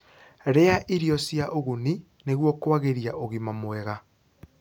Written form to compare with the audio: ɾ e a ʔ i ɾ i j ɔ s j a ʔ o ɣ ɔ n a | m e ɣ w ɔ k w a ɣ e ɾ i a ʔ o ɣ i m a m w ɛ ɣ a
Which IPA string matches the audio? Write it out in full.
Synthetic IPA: ɾ e a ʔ i ɾ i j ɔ s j a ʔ o ɣ u n i | n e ɣ w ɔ k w a ɣ e ɾ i a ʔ o ɣ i m a m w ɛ ɣ a